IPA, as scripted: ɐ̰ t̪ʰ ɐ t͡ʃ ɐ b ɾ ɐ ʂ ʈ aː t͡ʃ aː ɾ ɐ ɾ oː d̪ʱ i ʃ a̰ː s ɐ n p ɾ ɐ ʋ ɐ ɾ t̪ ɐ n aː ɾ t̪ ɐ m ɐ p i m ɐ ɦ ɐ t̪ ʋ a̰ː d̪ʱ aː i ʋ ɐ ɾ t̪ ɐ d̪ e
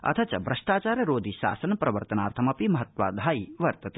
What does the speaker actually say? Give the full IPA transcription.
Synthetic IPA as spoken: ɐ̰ t̪ʰ ɐ t͡ʃ ɐ b ɾ ɐ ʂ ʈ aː t͡ʃ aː ɾ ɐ ɾ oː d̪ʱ i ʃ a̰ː s ɐ n p ɾ ɐ ʋ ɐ ɾ t̪ ɐ n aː ɾ t̪ʰ ɐ m ɐ p i m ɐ ɦ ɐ t̪ ʋ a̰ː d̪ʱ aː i ʋ ɐ ɾ t̪ ɐ t̪ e